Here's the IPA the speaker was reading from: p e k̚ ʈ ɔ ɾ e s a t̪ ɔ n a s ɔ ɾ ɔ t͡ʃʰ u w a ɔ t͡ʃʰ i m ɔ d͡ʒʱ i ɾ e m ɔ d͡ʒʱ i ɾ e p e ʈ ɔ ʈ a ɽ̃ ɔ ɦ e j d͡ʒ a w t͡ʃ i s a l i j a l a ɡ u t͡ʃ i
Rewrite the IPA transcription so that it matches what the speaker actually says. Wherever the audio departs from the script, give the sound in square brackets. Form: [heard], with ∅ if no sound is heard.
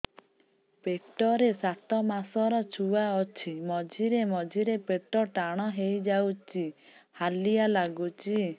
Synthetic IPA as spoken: p e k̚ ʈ ɔ ɾ e s a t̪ ɔ [m] a s ɔ ɾ ɔ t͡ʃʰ u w a ɔ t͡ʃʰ i m ɔ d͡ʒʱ i ɾ e m ɔ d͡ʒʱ i ɾ e p e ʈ ɔ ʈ a ɽ̃ ɔ ɦ e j d͡ʒ a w t͡ʃ i [h] a l i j a l a ɡ u t͡ʃ i